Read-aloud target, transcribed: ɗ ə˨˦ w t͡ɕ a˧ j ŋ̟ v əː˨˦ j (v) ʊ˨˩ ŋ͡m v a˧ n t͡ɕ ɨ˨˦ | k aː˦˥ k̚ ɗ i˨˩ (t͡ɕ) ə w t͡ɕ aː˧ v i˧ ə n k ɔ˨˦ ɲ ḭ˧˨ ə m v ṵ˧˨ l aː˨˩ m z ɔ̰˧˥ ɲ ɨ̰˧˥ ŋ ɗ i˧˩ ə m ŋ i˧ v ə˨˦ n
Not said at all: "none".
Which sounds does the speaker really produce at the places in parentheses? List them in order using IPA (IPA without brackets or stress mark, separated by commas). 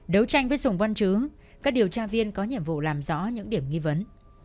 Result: z, none